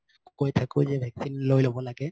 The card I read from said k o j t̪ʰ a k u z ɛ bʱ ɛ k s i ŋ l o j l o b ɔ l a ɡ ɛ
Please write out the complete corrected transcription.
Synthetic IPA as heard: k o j t̪ʰ a k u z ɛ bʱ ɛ k s i n l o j l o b ɔ l a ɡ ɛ